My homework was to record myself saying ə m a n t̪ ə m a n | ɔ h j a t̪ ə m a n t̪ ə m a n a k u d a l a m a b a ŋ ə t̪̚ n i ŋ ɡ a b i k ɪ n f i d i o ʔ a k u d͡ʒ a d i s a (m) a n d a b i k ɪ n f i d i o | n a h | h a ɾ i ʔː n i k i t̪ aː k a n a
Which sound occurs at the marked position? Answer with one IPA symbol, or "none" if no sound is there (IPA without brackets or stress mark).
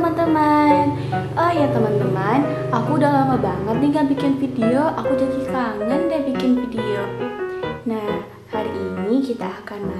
ŋ